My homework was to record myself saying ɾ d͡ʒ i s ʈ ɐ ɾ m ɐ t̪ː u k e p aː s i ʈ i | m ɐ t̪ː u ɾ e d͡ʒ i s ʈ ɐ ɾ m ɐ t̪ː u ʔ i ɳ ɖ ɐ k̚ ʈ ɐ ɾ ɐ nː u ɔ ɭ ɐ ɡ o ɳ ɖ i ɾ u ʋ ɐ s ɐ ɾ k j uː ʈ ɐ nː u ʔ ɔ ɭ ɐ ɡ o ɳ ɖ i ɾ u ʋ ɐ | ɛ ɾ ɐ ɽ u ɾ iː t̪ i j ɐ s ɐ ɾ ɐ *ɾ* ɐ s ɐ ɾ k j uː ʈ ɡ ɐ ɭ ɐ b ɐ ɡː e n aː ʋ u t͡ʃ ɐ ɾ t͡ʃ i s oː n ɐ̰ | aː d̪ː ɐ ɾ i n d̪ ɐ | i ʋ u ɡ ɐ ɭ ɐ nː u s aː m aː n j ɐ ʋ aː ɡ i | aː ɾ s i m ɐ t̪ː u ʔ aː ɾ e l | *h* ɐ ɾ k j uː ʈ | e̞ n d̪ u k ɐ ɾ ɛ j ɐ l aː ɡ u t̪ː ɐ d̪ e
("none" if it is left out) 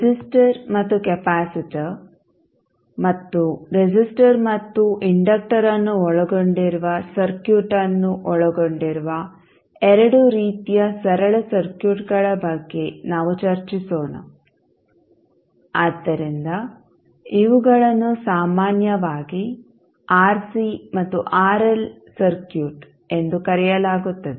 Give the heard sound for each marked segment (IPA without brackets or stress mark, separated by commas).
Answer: ɭ, s